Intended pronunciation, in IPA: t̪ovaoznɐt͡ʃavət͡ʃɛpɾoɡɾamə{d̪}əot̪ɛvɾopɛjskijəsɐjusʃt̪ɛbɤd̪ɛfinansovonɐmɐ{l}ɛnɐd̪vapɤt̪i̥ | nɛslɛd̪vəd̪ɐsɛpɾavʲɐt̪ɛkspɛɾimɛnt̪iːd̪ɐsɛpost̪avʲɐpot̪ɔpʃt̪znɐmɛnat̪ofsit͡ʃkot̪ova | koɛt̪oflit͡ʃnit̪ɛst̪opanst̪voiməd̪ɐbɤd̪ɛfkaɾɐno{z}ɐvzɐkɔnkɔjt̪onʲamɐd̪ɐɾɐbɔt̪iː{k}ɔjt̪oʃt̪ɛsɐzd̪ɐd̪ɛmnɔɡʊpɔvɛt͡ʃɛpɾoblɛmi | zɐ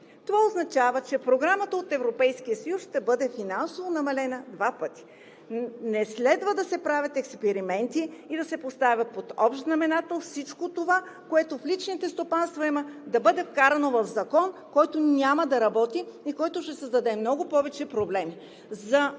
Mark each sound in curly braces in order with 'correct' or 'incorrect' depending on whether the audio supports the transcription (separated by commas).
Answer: incorrect, correct, incorrect, correct